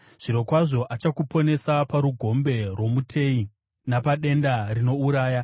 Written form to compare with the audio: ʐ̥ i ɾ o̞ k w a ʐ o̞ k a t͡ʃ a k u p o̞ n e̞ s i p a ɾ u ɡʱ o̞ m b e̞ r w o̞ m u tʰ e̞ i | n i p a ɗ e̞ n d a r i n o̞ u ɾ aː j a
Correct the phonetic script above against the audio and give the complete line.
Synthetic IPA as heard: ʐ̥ i ɾ o̞ k w a ʐ o̞ ʔ a t͡ʃ a k u p o̞ n e̞ s a p a ɾ u ɡʱ o̞ m b e̞ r w o̞ m u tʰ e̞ i | n a p a ɗ e̞ n d a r i n o̞ u ɾ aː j a